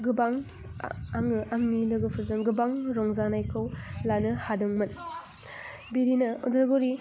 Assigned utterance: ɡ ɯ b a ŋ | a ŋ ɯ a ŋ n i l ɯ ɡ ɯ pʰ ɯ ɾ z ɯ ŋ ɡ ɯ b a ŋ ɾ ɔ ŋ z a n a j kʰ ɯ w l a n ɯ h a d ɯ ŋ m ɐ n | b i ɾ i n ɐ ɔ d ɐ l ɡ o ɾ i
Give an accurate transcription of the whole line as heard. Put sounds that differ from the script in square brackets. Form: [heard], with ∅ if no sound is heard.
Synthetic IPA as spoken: ɡ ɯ b a ŋ | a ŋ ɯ a ŋ n i l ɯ ɡ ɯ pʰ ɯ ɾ z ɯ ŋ ɡ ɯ b a ŋ ɾ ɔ ŋ z a n a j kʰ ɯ w l a n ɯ h a d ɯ ŋ m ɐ n | b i ɾ i n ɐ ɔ d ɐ [ɾ] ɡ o ɾ i

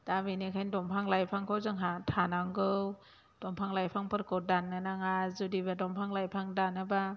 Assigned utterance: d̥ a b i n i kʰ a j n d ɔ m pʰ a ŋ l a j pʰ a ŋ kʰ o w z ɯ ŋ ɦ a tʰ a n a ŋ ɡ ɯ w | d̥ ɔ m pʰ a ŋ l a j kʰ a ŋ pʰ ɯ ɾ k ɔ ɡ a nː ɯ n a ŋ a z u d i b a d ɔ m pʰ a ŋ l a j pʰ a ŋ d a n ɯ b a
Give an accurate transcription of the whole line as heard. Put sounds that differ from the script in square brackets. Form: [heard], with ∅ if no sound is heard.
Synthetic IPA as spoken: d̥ a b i n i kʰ a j n d ɔ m pʰ a ŋ l a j pʰ a ŋ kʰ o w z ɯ ŋ ɦ a tʰ a n a ŋ ɡ ɯ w | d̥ ɔ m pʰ a ŋ l a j [pʰ] a ŋ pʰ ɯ ɾ k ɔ [d] a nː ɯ n a ŋ a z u d i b a d ɔ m pʰ a ŋ l a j pʰ a ŋ d a n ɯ b a

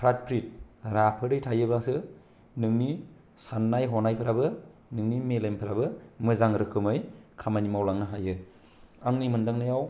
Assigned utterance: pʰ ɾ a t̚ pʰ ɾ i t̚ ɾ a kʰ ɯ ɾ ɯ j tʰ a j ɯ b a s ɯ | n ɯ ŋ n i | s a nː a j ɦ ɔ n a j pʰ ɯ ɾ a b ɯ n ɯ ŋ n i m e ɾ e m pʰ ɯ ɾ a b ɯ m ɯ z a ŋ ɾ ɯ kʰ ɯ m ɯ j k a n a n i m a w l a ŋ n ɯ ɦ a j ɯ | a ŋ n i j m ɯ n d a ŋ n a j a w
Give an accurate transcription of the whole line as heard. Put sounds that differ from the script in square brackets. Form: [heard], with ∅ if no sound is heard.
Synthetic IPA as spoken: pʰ ɾ a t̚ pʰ ɾ i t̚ ɾ a [pʰ] ɯ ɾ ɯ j tʰ a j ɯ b a s ɯ | n ɯ ŋ n i | s a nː a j ɦ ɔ n a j pʰ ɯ ɾ a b ɯ n ɯ ŋ n i m e [l] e m pʰ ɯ ɾ a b ɯ m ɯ z a ŋ ɾ ɯ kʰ ɯ m ɯ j [kʰ] a [m] a n i m a w l a ŋ n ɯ ɦ a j ɯ | a ŋ n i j m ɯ n d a ŋ n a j a w

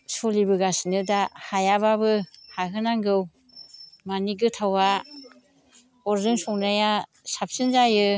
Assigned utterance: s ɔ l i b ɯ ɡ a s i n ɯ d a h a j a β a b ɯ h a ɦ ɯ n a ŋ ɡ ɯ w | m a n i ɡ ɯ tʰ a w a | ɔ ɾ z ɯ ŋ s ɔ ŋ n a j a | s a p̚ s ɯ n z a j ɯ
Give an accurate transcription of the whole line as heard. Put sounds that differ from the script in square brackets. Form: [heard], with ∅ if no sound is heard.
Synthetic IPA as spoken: s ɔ l i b ɯ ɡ a s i n ɯ d a h a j a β a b ɯ h a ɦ ɯ n a ŋ ɡ ɯ w | m a n i ɡ ɯ tʰ a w a | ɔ ɾ z ɯ ŋ s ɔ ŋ n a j a | s a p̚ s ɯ n z a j ɯ

